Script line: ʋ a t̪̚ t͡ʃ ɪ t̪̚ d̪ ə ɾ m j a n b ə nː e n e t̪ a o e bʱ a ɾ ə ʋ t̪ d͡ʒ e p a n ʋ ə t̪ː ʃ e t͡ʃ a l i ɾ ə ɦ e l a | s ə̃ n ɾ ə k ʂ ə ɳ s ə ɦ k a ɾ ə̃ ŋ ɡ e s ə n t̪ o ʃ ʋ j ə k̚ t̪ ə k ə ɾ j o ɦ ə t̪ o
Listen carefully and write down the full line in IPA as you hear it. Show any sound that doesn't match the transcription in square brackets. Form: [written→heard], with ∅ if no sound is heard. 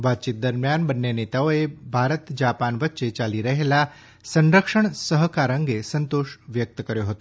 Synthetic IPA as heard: ʋ a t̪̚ t͡ʃ [ɪ→i] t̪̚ d̪ ə ɾ m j a n b ə nː e n e t̪ a o e bʱ a ɾ ə [ʋ→∅] t̪ d͡ʒ [e→a] p a n ʋ ə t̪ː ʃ e t͡ʃ a l i ɾ ə ɦ e l a | s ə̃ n ɾ ə k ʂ ə ɳ s ə ɦ k a ɾ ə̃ ŋ ɡ e s ə n t̪ o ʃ ʋ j ə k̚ t̪ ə k ə ɾ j o ɦ ə t̪ o